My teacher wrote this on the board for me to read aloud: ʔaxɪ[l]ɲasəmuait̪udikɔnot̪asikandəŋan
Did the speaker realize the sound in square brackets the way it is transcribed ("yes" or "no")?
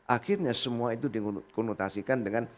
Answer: no